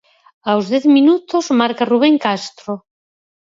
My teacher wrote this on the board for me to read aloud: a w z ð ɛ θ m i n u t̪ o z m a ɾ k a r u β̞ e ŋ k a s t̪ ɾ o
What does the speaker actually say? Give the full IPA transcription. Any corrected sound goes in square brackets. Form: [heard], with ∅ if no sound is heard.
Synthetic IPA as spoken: a w z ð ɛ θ m i n u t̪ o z m a ɾ k a r u β̞ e ŋ k a s t̪ ɾ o